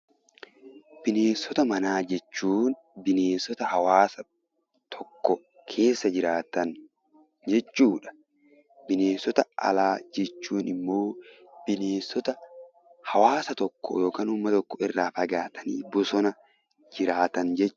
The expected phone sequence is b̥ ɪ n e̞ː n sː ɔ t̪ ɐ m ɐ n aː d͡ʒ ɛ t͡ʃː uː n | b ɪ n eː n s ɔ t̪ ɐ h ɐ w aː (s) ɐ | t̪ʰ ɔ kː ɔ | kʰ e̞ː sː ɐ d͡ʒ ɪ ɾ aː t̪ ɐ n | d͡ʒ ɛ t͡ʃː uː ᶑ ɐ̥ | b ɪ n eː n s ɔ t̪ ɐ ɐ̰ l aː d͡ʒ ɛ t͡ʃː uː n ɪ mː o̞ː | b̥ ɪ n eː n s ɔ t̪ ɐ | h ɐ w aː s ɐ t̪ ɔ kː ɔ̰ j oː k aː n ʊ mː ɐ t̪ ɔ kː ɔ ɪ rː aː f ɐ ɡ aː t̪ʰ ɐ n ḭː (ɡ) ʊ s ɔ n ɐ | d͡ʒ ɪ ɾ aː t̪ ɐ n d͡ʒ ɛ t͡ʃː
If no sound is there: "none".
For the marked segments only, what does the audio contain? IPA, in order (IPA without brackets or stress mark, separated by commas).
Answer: s, b